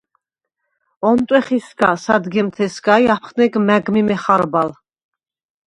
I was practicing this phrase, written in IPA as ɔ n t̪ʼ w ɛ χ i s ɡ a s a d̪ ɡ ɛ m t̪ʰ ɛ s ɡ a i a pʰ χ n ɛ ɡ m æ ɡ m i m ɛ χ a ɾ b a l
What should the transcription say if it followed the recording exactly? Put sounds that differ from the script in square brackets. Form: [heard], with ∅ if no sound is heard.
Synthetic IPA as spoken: ɔ n t̪ʼ w ɛ χ i s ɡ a s a d̪ ɡ ɛ m t̪ʰ ɛ s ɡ a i a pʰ χ n ɛ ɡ m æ ɡ m i m ɛ χ a ɾ b a l